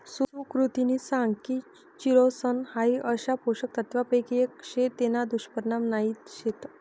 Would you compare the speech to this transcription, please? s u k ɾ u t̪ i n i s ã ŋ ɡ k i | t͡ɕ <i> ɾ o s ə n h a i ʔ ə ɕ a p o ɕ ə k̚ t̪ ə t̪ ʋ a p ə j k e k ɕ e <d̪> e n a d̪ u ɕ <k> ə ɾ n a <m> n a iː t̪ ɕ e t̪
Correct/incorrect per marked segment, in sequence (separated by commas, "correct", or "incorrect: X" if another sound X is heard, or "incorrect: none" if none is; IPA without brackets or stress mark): correct, incorrect: t̪, incorrect: p, correct